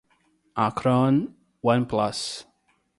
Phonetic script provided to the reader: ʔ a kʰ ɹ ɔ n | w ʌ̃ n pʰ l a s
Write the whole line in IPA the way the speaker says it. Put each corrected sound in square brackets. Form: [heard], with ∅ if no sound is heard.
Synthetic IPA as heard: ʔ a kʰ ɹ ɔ n | w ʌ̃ n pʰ l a s

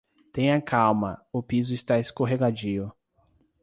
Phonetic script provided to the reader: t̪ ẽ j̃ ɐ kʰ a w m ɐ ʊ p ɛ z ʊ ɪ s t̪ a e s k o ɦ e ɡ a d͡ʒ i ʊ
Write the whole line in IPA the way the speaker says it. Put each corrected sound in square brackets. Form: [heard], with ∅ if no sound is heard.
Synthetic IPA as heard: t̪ ẽ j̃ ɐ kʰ a w m ɐ ʊ p [i] z ʊ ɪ s t̪ a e s k o ɦ e ɡ a d͡ʒ i ʊ

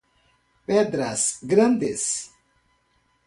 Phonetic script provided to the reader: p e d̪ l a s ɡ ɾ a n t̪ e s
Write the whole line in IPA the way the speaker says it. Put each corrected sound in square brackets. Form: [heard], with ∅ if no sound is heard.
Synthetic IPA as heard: p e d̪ [ɾ] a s ɡ ɾ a n [d̪] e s

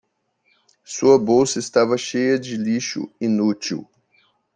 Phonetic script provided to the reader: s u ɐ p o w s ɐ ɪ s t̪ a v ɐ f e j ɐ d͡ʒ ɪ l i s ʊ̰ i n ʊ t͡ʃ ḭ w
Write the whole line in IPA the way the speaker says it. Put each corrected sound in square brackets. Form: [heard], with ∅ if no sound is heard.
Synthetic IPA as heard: s u ɐ [b] o w s ɐ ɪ s t̪ a v ɐ [ʃ] e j ɐ d͡ʒ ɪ l i [ʃ] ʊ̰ i n [u] t͡ʃ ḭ w

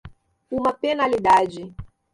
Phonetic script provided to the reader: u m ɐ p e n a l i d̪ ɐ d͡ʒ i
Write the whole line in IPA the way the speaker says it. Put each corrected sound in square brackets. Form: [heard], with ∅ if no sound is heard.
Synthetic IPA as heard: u m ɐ p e n a l i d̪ [a] d͡ʒ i

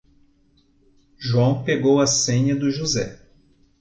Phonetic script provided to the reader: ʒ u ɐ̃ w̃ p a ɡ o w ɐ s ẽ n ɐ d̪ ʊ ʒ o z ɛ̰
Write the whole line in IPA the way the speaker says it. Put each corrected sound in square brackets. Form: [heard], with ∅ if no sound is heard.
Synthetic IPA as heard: ʒ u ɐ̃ w̃ p [e] ɡ o w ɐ s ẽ [ɲ] ɐ d̪ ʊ ʒ [u] z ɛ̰

